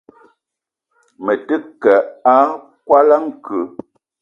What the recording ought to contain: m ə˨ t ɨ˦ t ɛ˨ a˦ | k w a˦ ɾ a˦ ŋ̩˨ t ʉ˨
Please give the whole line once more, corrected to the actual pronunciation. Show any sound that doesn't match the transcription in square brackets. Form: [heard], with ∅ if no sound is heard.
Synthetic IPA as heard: m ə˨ t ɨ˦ [k] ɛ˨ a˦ | k w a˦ [l] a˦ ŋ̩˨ [k] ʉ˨